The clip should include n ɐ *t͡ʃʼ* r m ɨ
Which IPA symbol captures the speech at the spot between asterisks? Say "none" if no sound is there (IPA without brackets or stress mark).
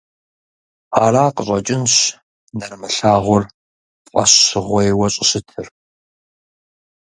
none